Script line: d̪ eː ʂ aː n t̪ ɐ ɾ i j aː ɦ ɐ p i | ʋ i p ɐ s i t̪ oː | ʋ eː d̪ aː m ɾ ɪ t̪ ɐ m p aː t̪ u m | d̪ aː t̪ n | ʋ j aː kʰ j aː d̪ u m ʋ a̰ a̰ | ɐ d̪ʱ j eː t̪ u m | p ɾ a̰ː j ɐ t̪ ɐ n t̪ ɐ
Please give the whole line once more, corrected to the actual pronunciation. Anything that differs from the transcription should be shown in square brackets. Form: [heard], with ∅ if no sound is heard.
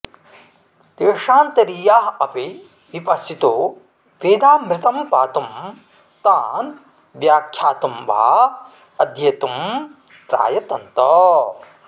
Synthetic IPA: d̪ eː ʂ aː n t̪ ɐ ɾ i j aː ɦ ɐ p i | ʋ i p ɐ s i t̪ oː | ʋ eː d̪ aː m ɾ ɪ t̪ ɐ m p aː t̪ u m | [t̪] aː [∅] n | ʋ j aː kʰ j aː [t̪] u m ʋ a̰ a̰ | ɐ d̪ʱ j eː t̪ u m | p ɾ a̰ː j ɐ t̪ ɐ n t̪ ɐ